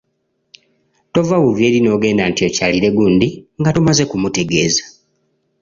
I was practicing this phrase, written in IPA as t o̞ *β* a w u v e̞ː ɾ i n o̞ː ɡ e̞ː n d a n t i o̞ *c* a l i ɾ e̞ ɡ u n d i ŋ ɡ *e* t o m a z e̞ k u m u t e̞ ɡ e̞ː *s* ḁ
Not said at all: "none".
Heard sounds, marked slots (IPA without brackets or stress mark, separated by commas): v, c, a, z